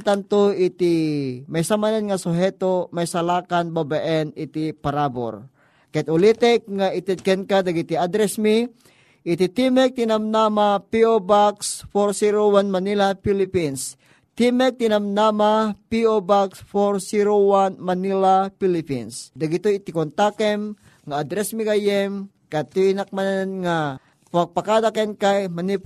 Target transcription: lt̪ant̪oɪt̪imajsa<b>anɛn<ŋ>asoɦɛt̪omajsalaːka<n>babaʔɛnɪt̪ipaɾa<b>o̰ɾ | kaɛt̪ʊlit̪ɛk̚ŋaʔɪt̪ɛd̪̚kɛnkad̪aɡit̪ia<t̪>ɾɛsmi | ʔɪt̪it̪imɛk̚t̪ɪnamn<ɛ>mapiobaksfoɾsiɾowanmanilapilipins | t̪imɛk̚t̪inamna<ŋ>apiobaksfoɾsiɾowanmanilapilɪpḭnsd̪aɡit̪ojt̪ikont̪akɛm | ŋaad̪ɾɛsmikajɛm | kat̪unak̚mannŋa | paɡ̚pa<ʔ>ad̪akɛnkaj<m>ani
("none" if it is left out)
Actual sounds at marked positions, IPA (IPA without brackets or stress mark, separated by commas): m, ŋ, n, b, d̪, a, m, k, m